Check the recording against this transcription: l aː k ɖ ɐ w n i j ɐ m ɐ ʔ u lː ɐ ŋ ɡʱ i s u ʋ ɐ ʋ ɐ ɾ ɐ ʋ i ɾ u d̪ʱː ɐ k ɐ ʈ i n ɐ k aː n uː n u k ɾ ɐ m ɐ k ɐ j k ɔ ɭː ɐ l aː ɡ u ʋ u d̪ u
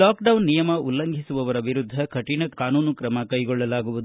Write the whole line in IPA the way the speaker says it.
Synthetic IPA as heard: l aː k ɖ ɐ w nː i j ɐ m ɐ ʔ u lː ɐ ŋ ɡʱ i s u ʋ ɐ ʋ ɐ ɾ ɐ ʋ i ɾ u d̪ʱː ɐ k ɐ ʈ i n ɐ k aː n uː n u k ɾ ɐ m ɐ k ɐ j ɡ ɔ ɭː ɐ l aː ɡ u ʋ u d̪ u

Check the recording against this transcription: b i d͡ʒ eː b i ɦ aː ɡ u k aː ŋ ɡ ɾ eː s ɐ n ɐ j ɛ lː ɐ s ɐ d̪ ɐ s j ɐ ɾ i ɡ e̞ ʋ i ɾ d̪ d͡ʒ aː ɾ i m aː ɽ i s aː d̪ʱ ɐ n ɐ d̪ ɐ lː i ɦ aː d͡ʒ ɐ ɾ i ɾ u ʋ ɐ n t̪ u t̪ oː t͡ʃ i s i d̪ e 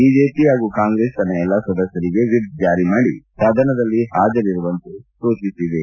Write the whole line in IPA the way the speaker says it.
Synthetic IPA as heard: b i d͡ʒ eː p i ɦ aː ɡ u k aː ŋ ɡ ɾ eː s ɐ n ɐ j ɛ lː ɐ s ɐ d̪ ɐ s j ɐ ɾ i ɡ e̞ ʋ i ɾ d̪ d͡ʒ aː ɾ i m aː ɽ i s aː d̪ʱ ɐ n ɐ d̪ ɐ lː i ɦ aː d͡ʒ ɐ ɾ i ɾ u ʋ ɐ n t̪ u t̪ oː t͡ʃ i s i d̪ e

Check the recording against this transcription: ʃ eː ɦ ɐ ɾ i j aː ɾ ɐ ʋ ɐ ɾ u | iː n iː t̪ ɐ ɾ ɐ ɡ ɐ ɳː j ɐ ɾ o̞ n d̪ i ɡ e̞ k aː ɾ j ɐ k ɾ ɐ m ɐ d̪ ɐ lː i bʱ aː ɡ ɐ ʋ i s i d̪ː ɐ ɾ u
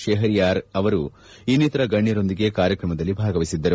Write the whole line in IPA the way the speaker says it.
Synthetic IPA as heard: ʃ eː ɦ ɐ ɾ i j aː ɾ ɐ ʋ ɐ ɾ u | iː n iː t̪ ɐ ɾ ɐ ɡ ɐ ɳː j ɐ ɾ o̞ n d̪ i ɡ e̞ k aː ɾ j ɐ k ɾ ɐ m ɐ d̪ ɐ lː i bʱ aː ɡ ɐ ʋ i s i d̪ː ɐ ɾ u

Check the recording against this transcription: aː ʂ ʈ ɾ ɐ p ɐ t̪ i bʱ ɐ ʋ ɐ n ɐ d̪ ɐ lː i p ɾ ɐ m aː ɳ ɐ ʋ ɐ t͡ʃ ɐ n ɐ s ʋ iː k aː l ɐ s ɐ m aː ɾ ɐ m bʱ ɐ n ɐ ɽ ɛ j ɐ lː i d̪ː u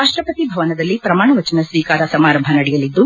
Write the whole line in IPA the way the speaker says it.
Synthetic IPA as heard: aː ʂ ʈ ɾ ɐ p ɐ t̪ i bʱ ɐ ʋ ɐ n ɐ d̪ ɐ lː i p ɾ ɐ m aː ɳ ɐ ʋ ɐ t͡ʃ ɐ n ɐ s ʋ iː k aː ɾ ɐ s ɐ m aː ɾ ɐ m bʱ ɐ n ɐ ɽ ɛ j ɐ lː i d̪ː u

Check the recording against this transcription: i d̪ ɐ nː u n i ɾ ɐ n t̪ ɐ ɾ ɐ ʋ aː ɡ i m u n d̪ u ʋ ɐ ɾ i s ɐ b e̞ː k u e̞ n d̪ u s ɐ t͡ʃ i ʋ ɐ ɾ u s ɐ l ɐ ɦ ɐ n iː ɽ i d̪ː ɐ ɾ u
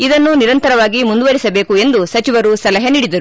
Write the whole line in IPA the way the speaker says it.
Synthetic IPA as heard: i d̪ ɐ nː u n i ɾ ɐ n t̪ ɐ ɾ ɐ ʋ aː ɡ i m u n d̪ u ʋ ɐ ɾ i s ɐ b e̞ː k u e̞ n d̪ u s ɐ t͡ʃ i ʋ ɐ ɾ u s ɐ l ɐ ɦ ɐ n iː ɽ i d̪ ɐ ɾ u

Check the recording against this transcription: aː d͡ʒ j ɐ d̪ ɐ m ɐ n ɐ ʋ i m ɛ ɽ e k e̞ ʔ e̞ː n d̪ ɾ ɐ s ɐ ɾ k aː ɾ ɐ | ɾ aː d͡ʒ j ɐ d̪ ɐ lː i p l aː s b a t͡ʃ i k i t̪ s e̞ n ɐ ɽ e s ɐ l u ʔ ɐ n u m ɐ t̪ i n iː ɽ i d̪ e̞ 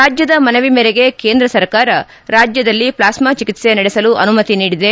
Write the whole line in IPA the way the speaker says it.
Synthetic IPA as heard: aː d͡ʒ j ɐ d̪ ɐ m ɐ n ɐ ʋ i m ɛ ɾ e ɡ e̞ k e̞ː n d̪ ɾ ɐ s ɐ ɾ k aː ɾ ɐ | ɾ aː d͡ʒ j ɐ d̪ ɐ lː i p l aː s m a t͡ʃ i k i t̪ s e̞ n ɐ ɽ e s ɐ l u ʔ ɐ n u m ɐ t̪ i n iː ɽ i d̪ e̞

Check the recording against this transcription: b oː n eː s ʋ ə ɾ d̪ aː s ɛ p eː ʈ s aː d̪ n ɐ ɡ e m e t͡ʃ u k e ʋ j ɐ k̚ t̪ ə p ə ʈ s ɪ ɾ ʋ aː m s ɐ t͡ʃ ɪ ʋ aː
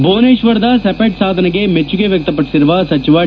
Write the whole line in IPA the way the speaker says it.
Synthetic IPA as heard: b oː n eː ʃ ʋ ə ɾ d̪ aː s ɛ p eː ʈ s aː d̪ n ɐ ɡ e m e t͡ʃ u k e ʋ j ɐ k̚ t̪ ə p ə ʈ s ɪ ɾ ʋ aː s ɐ t͡ʃ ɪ ʋ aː

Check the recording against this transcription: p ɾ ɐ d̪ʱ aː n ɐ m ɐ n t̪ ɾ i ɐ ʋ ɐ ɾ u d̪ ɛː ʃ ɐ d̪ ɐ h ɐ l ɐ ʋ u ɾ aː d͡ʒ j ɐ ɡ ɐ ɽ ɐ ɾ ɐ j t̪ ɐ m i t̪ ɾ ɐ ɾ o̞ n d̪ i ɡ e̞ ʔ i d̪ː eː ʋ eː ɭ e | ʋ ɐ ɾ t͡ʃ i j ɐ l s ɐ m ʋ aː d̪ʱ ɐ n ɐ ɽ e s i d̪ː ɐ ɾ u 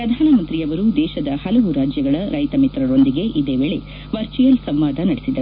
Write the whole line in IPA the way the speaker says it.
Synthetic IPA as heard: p ɾ ɐ d̪ʱ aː n ɐ m ɐ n t̪ ɾ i ɐ ʋ ɐ ɾ u d̪ ɛː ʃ ɐ d̪ ɐ h ɐ l ɐ ʋ u ɾ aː d͡ʒ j ɐ ɡ ɐ ɭ ɐ ɾ ɐ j t̪ ɐ m i t̪ ɾ ɐ ɾ o̞ n d̪ i ɡ e̞ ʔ i d̪ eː ʋ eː ɭ e | ʋ ɐ ɾ t͡ʃ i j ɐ l s ɐ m ʋ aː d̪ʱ ɐ n ɐ ɽ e s i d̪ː ɐ ɾ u

